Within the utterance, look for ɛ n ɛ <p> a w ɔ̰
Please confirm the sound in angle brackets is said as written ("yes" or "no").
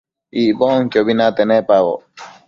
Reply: yes